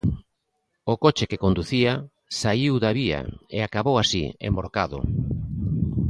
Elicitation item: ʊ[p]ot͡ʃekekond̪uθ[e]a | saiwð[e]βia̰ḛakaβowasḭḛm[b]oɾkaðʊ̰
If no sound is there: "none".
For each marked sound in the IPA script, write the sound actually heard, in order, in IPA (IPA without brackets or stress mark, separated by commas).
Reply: k, i, a, b